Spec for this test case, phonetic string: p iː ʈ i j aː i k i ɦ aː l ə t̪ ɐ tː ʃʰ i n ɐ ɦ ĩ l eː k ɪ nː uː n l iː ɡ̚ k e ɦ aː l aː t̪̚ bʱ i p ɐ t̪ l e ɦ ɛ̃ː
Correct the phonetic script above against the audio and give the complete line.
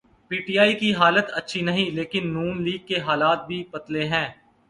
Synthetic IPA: p iː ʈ i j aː i k i ɦ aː l ə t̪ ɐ tː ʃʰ i n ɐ ɦ ĩ l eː k ɪ nː uː n l iː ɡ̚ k e ɦ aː l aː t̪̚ bʱ i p ɐ t̪ l e ɦ ɛ̃ː

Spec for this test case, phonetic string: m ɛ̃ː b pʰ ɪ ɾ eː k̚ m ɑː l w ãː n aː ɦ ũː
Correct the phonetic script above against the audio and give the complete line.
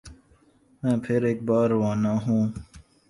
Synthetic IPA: m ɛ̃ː pʰ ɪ ɾ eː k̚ b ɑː ɾ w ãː n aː ɦ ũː

